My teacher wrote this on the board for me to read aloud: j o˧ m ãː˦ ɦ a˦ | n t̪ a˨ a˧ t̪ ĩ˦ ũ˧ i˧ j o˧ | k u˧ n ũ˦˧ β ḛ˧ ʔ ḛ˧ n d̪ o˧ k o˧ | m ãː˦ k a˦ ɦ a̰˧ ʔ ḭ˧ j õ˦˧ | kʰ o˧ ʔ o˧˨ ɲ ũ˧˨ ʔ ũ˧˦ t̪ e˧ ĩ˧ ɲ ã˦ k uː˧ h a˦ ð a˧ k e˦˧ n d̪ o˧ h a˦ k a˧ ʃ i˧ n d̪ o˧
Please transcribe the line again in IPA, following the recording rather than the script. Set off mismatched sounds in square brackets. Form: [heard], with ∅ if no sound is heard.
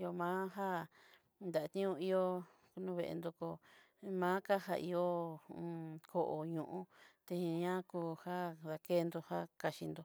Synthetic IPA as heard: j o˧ m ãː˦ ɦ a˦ | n [d̪] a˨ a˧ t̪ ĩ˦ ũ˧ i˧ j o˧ | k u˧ n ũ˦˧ β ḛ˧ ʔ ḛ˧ n d̪ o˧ k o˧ | m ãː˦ k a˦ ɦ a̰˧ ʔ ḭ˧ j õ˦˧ | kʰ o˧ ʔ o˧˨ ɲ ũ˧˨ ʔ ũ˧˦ t̪ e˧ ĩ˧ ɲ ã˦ k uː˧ h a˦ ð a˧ k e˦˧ n d̪ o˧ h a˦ k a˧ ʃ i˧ n d̪ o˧